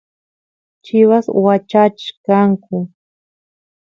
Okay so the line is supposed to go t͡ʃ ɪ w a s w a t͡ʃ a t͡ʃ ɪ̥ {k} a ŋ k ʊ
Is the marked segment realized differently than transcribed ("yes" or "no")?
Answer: no